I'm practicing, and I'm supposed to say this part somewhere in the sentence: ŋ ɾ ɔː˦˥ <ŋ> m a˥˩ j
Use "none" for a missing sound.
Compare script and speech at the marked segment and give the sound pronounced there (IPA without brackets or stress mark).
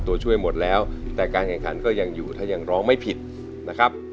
ŋ